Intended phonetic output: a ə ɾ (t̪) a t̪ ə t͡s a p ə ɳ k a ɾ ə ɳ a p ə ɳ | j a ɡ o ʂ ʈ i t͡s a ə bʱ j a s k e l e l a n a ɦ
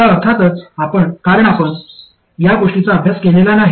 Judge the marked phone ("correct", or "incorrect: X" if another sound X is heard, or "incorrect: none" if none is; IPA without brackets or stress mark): incorrect: t̪ʰ